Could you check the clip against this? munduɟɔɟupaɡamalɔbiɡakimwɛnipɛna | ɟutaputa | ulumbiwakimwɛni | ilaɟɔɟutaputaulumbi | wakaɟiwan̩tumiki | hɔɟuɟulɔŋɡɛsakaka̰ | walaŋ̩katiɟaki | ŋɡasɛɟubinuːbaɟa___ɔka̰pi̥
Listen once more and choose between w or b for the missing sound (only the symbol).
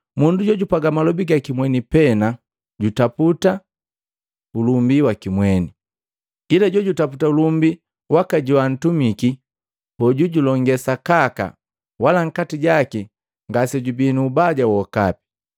w